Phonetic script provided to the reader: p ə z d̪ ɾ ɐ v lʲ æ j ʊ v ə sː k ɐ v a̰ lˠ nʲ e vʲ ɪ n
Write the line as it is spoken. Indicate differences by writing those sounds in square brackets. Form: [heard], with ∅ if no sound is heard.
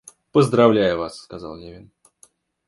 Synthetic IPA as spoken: p ə z d̪ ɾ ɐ v lʲ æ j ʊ v [a] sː k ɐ [z] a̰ lˠ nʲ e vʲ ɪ n

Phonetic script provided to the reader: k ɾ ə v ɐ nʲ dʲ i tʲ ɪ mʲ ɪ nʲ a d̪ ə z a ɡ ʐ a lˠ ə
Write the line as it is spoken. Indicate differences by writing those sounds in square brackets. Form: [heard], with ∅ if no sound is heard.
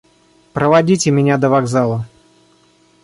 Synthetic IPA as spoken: [p] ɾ ə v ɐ [∅] dʲ i tʲ ɪ mʲ ɪ nʲ a d̪ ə [v] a ɡ [z] a lˠ ə

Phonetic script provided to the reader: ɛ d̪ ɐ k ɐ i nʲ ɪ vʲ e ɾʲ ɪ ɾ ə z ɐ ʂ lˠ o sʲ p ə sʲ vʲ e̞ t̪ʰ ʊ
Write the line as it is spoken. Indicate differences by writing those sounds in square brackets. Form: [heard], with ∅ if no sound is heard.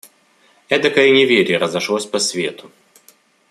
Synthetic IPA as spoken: ɛ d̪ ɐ k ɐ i nʲ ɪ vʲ e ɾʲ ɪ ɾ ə z ɐ ʂ lˠ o sʲ p [ɐ] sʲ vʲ e̞ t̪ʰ ʊ

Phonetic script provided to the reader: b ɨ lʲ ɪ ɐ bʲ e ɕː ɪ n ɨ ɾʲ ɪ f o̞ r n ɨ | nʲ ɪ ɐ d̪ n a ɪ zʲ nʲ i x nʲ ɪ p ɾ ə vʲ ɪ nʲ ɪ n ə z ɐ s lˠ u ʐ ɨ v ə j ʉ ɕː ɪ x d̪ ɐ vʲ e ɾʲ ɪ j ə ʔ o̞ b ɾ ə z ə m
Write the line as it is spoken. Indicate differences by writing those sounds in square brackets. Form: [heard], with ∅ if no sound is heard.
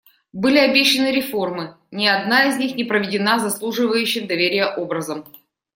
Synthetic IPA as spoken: b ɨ lʲ ɪ ɐ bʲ e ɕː ɪ n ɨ ɾʲ ɪ f o̞ r [m] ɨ | nʲ ɪ ɐ d̪ n a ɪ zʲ nʲ i x nʲ ɪ p ɾ ə vʲ ɪ [dʲ] ɪ n [a] z ɐ s lˠ u ʐ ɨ v ə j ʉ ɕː ɪ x d̪ ɐ vʲ e ɾʲ ɪ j ə ʔ o̞ b ɾ ə z ə m

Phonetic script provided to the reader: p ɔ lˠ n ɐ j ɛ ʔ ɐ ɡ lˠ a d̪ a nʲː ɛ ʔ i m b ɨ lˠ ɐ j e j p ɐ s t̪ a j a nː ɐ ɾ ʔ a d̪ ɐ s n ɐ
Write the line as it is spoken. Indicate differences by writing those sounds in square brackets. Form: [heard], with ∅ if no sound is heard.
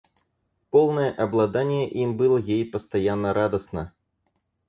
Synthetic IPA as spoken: p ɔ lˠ n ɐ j ɛ ʔ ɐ [b] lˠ a d̪ a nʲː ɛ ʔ i m b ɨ lˠ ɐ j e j p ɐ s t̪ a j a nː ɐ ɾ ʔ a d̪ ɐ s n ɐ

